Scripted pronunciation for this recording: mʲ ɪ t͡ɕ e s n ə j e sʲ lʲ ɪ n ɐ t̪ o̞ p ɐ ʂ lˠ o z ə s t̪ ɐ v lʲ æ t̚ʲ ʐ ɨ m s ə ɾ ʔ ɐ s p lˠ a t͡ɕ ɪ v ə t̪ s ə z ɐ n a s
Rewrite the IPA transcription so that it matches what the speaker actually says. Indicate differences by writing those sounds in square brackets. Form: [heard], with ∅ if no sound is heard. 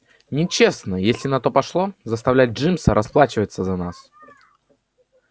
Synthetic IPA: [nʲ] ɪ t͡ɕ e s n ə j e sʲ lʲ ɪ n ɐ t̪ o̞ p ɐ ʂ lˠ o z ə s t̪ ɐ v lʲ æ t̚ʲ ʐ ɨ m s ə ɾ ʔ ɐ s p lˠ a t͡ɕ ɪ v ə t̪ s ə z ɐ n a s